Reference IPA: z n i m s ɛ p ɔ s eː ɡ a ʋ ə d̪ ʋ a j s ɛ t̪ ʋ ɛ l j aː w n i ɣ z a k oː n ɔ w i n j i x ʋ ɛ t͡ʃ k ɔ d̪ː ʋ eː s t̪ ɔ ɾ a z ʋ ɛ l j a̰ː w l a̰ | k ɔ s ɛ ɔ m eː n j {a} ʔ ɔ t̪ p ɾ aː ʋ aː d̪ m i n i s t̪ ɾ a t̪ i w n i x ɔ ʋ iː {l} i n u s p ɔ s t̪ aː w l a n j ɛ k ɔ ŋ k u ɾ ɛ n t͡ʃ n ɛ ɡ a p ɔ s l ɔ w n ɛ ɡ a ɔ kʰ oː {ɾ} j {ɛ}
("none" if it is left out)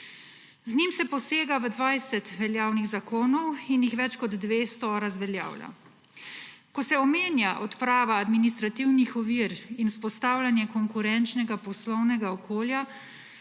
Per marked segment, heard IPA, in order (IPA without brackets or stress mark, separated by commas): a, ɾ, l, a